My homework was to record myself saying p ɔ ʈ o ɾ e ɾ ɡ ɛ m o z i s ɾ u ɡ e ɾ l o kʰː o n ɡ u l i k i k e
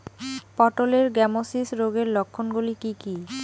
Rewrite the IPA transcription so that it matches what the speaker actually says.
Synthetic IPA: p ɔ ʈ o l e ɾ ɡ ɛ m o s i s ɾ o ɡ e ɾ l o kʰː o n ɡ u l i k i k i